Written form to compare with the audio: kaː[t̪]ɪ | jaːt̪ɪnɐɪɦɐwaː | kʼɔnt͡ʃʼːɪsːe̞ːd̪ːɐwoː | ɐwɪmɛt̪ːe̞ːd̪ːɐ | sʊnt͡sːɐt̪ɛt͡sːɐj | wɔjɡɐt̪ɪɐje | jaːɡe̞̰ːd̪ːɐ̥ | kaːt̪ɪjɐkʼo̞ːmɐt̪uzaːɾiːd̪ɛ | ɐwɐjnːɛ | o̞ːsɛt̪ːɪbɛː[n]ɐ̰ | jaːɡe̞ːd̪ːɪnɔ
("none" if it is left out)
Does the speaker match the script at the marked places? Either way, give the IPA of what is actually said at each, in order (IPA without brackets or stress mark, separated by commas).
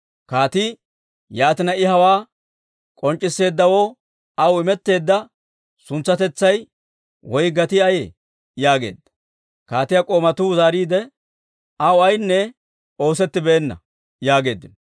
t̪, nː